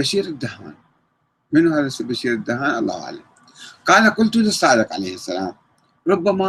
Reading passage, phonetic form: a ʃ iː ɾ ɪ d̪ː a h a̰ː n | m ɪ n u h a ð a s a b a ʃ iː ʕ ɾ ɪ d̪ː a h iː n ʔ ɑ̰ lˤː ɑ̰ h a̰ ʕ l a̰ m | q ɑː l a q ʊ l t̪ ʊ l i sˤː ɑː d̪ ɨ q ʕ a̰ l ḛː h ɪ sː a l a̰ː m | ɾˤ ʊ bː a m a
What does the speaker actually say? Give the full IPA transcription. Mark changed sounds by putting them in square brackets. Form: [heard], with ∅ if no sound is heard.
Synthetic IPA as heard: a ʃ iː ɾ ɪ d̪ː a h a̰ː n | m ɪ n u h a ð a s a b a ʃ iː [∅] ɾ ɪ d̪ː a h [aː] n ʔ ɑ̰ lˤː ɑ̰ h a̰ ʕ l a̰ m | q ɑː l a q ʊ l t̪ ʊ l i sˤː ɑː d̪ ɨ q ʕ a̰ l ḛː h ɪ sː a l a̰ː m | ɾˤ ʊ bː a m a